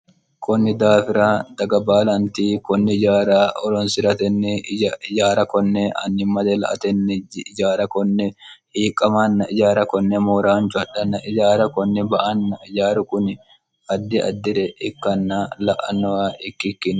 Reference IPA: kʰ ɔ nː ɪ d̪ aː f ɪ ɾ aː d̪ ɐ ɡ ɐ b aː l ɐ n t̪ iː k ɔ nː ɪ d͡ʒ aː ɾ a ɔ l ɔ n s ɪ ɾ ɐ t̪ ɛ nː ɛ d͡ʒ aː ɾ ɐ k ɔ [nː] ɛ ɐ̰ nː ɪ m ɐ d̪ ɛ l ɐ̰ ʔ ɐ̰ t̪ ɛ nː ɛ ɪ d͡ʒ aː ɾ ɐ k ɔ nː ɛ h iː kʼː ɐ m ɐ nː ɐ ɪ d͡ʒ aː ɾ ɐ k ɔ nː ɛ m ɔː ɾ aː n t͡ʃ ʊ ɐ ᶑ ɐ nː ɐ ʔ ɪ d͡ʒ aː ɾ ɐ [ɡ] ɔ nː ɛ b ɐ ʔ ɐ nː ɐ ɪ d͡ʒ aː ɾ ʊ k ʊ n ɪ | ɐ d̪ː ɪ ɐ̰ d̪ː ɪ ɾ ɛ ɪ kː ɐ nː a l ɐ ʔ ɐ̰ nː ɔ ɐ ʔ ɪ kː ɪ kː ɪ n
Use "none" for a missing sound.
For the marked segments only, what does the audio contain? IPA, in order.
nː, k

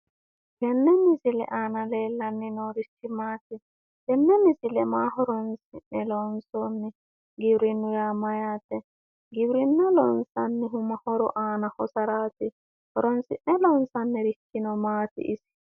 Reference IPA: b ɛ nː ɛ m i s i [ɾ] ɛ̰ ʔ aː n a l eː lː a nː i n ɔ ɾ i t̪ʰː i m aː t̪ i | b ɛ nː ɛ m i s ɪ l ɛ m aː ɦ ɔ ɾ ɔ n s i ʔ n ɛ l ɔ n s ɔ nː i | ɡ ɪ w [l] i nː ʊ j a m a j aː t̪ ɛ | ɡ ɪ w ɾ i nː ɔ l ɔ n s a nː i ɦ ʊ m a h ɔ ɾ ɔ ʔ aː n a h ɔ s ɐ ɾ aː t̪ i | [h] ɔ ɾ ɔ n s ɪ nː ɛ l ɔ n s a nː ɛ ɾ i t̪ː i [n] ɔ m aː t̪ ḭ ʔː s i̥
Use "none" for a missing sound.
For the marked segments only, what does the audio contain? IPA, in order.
l, ɾ, h, n

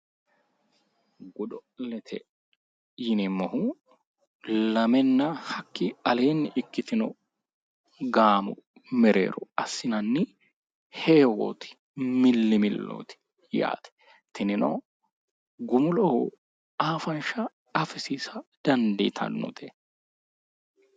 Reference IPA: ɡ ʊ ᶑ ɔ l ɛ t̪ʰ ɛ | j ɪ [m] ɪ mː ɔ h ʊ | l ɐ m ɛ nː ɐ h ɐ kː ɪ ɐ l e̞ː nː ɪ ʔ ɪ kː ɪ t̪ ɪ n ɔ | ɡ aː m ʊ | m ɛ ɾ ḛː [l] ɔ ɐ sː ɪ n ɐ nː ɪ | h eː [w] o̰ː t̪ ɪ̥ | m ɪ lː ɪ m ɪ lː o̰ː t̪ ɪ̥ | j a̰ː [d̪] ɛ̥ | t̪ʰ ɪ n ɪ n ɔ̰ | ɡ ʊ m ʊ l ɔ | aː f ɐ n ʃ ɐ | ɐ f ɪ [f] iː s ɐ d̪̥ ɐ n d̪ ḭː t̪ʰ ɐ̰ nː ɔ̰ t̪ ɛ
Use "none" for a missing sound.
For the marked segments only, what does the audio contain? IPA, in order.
n, ɾ, w, t̪, s

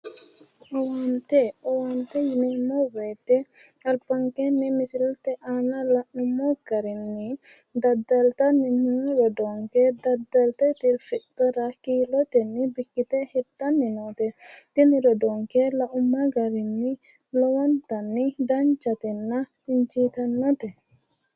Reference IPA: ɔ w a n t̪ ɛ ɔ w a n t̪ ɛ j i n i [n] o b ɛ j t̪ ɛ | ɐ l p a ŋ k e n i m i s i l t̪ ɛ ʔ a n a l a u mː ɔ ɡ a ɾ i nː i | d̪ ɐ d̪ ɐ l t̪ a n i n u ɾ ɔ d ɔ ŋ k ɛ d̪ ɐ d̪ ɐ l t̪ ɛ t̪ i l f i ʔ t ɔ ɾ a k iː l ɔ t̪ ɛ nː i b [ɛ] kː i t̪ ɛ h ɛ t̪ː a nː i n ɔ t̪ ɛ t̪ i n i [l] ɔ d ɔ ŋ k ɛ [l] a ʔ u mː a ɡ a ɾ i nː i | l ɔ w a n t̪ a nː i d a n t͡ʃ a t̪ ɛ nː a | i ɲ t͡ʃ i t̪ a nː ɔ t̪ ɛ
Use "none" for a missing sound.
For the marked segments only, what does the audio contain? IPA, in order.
m, i, ɾ, l

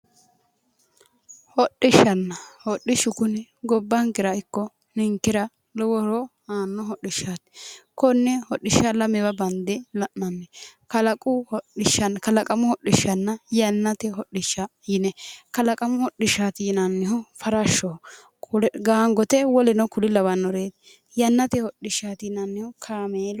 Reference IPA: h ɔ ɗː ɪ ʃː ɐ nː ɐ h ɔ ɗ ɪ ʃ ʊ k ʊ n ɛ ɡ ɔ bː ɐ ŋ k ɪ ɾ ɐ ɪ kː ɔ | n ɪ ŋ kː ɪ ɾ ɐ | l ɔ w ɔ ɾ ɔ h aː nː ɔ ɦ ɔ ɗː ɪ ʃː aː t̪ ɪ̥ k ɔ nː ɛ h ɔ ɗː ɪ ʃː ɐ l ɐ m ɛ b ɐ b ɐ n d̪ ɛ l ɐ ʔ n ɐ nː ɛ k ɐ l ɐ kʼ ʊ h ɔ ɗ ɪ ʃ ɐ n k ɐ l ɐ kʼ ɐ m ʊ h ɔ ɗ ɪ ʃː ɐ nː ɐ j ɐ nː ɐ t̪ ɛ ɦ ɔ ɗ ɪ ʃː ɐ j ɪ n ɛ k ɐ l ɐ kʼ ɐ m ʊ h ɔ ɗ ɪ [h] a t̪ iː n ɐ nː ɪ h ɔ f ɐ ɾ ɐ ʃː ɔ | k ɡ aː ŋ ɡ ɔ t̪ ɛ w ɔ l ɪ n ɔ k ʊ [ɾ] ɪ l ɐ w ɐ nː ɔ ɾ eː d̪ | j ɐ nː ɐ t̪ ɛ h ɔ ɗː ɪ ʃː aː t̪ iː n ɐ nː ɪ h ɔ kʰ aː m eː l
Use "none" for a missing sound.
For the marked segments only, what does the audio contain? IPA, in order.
ʃ, l

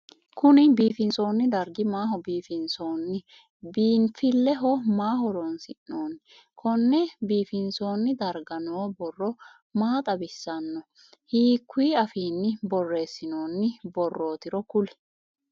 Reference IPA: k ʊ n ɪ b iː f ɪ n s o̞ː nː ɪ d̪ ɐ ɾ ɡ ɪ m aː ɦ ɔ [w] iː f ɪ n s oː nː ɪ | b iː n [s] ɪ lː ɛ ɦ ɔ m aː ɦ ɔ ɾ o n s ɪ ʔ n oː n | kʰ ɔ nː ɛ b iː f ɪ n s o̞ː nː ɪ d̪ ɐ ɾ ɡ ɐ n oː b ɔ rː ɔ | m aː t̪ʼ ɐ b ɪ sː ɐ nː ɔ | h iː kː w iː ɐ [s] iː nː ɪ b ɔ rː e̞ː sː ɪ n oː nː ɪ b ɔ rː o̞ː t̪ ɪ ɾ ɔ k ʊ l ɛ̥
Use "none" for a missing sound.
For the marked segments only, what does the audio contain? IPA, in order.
b, f, f

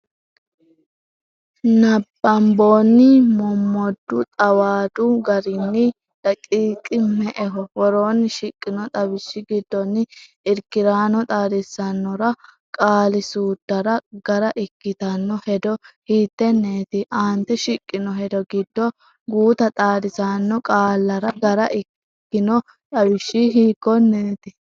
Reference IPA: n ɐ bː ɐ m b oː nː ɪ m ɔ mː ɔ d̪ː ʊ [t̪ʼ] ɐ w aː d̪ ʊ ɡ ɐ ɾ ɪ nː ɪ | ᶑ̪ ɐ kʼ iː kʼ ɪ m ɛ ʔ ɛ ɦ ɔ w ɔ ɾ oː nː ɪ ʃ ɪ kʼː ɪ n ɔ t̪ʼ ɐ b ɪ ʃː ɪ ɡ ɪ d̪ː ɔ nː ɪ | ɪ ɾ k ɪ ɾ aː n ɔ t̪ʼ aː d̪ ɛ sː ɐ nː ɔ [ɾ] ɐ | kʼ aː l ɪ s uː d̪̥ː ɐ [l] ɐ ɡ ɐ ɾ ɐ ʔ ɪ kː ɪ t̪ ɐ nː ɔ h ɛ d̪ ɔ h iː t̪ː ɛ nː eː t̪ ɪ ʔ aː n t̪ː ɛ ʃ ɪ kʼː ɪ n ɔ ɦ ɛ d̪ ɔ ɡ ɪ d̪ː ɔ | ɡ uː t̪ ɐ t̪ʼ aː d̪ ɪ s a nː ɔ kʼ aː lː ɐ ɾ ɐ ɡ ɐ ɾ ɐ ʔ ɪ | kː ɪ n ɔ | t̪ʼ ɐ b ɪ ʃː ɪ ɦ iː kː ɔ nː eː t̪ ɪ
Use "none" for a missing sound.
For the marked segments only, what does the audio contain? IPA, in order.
t̪ʼ, ɾ, ɾ

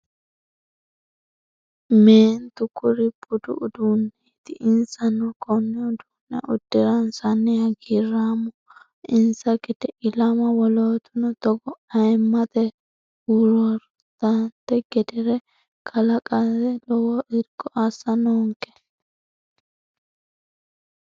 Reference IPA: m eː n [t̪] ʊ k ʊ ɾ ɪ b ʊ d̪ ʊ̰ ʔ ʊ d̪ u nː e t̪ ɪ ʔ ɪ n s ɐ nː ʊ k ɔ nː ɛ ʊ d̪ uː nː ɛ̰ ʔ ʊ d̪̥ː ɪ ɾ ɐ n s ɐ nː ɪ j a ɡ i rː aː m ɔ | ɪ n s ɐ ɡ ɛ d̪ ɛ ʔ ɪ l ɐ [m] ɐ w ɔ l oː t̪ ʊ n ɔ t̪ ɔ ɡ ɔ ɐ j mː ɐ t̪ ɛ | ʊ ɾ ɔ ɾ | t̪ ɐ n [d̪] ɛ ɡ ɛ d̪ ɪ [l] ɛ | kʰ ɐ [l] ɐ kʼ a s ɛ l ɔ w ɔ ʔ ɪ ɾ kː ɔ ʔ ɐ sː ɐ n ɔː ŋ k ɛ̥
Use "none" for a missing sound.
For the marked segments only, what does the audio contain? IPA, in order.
t̪, m, t̪, ɾ, l

